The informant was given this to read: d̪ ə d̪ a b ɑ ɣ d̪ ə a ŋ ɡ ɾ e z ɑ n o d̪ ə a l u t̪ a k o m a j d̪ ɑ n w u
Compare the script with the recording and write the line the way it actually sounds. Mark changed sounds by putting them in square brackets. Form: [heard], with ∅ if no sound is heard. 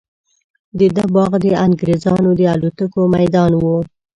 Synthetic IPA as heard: d̪ ə d̪ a b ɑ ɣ d̪ ə a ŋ ɡ ɾ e z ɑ n o d̪ ə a l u t̪ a k o m a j d̪ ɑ n w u